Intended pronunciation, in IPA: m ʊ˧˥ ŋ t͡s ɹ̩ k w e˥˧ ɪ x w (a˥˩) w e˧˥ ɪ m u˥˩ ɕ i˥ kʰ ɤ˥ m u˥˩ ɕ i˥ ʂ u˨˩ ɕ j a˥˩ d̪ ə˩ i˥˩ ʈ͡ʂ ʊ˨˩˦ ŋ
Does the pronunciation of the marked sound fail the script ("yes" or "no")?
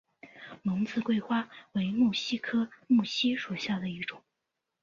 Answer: yes